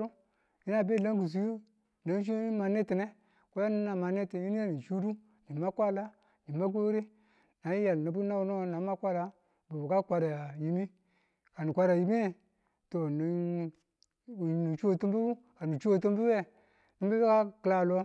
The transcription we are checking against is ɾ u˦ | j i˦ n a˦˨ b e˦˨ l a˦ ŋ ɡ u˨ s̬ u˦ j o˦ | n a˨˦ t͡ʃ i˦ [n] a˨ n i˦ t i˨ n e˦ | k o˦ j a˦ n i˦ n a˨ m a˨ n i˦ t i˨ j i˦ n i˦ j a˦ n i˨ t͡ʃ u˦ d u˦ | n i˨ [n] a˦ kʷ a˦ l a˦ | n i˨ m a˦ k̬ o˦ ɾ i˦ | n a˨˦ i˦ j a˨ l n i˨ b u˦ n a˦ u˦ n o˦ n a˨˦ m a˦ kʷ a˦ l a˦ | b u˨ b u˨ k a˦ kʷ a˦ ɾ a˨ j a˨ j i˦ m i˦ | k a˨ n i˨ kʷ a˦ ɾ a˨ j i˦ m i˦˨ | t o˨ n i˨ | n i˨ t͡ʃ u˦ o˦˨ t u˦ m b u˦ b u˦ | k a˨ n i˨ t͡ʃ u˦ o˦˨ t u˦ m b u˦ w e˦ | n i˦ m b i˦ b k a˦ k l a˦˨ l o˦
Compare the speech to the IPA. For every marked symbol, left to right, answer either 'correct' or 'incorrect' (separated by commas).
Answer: incorrect, incorrect